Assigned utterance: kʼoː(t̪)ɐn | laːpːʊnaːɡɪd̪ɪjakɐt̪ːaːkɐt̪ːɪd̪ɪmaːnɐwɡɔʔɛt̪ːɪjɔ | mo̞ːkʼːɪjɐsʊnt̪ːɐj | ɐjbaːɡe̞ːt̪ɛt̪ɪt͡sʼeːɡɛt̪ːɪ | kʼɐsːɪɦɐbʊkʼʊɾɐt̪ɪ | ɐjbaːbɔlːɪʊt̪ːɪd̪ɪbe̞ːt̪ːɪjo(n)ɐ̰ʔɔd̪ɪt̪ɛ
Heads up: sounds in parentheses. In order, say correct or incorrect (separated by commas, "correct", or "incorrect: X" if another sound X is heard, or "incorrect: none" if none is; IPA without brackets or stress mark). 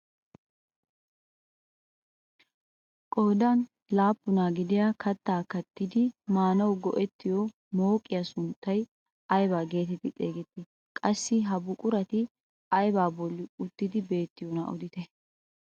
incorrect: d̪, correct